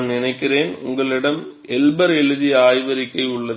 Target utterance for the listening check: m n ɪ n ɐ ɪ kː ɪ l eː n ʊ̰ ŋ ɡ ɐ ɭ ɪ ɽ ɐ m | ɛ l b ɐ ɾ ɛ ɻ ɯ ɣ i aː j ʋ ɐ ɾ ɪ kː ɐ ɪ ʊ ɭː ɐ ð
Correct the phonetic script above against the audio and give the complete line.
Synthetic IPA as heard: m n ɪ n ɐ ɪ kː ɪ r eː n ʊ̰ ŋ ɡ ɐ ɭ ɪ ɽ ɐ m | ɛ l b ɐ ɾ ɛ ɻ ɯ ð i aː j ʋ ɐ ɾ ɪ kː ɐ ɪ ʊ ɭː ɐ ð

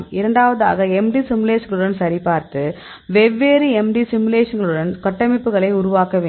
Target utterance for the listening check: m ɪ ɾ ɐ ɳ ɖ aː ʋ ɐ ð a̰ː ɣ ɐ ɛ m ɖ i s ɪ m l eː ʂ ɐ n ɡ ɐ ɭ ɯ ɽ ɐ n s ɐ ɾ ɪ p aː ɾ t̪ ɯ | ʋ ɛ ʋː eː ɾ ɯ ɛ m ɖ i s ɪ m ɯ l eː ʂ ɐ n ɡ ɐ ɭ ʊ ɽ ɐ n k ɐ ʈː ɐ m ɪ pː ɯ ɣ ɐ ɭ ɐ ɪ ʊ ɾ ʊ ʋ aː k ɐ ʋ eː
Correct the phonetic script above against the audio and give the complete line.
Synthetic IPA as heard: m ɪ ɾ ɐ ɳ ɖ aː ʋ ɐ ð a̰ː ɣ ɐ ɛ m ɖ i s ɪ m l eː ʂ ɐ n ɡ ɐ ɭ ɯ ɽ ɐ n s ɐ ɾ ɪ p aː ɾ t̪ ɯ | ʋ ɛ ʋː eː ɾ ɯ ɛ m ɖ i s ɪ m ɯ l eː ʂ ɐ n ɡ ɐ ɭ ɯ ɽ ɐ n k ɐ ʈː ɐ m ɪ pː ɯ ɣ ɐ ɭ ɐ ɪ ʊ ɾ ʊ ʋ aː k ɐ ʋ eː

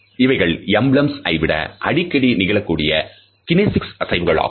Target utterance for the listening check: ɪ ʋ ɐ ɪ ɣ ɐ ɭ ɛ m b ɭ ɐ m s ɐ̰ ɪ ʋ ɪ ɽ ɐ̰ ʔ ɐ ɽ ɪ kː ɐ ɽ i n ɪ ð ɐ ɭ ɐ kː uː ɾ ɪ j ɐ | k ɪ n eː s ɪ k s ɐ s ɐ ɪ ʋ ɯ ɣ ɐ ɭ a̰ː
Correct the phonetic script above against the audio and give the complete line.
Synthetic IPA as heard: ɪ ʋ ɐ ɪ ɣ ɐ ɭ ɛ m b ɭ ɐ m s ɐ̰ ɪ ʋ ɪ ɽ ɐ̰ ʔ ɐ ɽ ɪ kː ɐ ɽ i n ɪ ɣ ɐ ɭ ɐ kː uː ɽ ɪ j ɐ | k ɪ n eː s ɪ k s ɐ s ɐ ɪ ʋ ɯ ɣ ɐ ɭ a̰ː

